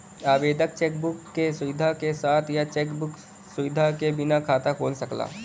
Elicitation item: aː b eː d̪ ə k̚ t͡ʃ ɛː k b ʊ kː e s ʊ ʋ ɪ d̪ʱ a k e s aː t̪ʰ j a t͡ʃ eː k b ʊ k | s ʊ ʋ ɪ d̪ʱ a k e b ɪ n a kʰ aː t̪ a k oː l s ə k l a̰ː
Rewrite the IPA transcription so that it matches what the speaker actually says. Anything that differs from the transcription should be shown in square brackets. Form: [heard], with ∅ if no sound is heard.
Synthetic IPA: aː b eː d̪ ə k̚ t͡ʃ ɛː k b ʊ kː e s ʊ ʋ ɪ d̪ʱ a k e s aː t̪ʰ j a t͡ʃ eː k b ʊ k | s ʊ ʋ ɪ d̪ʱ a k e b ɪ n a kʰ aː t̪ a k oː l s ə k l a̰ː